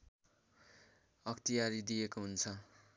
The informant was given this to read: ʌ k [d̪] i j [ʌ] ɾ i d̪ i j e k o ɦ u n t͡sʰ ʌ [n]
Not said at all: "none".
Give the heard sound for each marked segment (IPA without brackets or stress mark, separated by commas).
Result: t̪, a, none